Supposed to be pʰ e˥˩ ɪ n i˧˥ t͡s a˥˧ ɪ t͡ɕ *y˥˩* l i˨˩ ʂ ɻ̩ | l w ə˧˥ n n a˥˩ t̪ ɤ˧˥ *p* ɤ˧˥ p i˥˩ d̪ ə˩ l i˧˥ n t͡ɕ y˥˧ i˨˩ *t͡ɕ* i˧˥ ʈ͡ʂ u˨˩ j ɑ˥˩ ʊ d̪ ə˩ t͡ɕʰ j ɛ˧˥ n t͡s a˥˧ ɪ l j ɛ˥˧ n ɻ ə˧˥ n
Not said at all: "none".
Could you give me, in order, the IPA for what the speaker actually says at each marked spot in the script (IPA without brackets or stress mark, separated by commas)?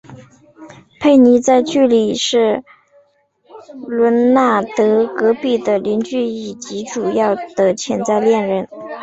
y˥˩, k, t͡ɕ